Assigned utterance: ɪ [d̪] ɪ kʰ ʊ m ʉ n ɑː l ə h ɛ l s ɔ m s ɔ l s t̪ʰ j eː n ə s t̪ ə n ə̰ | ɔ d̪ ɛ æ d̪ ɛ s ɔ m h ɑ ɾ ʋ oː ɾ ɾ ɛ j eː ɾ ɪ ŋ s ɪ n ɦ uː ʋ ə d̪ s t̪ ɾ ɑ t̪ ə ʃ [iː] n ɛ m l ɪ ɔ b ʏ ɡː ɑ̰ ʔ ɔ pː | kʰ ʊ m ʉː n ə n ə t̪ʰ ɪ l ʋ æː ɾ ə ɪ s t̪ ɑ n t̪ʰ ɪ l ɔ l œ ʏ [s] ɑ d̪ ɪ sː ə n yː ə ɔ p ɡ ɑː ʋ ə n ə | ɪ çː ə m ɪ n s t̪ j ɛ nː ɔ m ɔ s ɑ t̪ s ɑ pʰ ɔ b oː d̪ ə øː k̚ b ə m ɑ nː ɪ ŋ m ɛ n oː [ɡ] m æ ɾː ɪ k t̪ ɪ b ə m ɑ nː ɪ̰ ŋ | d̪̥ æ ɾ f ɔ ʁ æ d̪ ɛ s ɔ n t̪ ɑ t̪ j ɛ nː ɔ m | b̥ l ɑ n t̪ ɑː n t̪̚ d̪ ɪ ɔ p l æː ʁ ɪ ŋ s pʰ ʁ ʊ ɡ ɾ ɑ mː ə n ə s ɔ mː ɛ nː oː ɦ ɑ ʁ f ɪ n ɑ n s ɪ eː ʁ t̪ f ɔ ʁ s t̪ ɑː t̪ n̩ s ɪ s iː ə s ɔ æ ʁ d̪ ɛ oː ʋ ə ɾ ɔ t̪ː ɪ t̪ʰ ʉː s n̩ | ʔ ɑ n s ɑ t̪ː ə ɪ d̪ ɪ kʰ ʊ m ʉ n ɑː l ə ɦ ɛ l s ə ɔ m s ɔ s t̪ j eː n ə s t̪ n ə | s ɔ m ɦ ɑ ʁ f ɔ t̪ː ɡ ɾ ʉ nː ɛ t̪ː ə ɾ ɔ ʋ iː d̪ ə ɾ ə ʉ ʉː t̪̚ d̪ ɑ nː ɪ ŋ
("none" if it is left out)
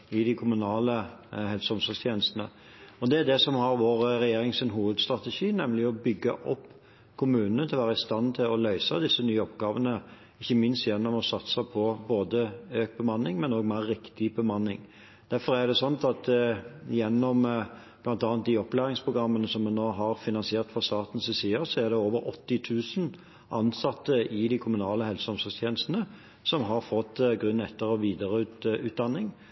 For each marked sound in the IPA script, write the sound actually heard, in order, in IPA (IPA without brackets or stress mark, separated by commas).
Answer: d̪, iː, s, ɡ